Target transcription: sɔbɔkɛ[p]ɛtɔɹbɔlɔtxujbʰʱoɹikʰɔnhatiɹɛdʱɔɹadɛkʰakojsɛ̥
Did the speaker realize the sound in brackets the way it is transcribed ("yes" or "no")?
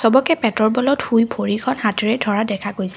yes